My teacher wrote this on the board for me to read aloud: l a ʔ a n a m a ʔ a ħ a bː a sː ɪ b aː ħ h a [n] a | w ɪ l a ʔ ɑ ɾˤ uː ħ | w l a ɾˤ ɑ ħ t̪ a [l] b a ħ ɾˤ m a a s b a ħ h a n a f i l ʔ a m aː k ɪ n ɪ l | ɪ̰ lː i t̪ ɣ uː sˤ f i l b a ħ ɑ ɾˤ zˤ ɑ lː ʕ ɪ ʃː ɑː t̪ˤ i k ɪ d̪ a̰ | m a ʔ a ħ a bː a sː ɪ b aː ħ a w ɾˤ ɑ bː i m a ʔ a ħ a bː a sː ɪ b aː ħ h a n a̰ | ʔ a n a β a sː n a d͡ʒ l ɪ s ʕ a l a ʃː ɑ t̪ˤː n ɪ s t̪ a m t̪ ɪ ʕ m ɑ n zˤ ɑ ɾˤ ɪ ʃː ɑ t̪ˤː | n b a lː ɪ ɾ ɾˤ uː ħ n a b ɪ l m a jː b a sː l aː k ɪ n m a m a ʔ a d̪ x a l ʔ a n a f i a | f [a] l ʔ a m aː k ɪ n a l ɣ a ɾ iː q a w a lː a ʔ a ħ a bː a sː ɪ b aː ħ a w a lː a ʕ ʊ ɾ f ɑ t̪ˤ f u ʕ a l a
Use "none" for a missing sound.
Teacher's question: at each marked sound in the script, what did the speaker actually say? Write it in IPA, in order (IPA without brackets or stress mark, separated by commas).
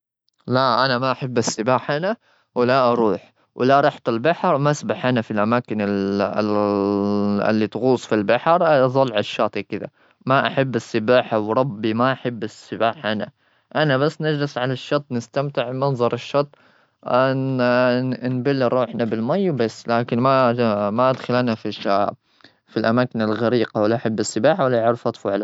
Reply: n, l, i